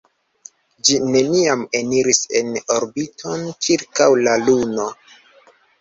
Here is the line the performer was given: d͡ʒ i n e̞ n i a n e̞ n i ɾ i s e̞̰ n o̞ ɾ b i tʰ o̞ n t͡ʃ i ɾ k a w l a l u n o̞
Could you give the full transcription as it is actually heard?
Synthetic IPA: d͡ʒ i n e̞ n i a m e̞ n i ɾ i s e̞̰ n o̞ ɾ b i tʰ o̞ n t͡ʃ i ɾ k a w l a l u n o̞